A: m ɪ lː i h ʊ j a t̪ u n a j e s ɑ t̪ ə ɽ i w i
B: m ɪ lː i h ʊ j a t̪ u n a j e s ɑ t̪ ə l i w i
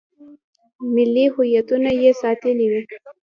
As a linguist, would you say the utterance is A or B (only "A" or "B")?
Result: B